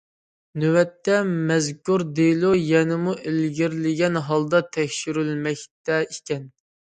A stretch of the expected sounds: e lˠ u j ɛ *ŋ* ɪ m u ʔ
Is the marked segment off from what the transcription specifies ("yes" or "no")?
yes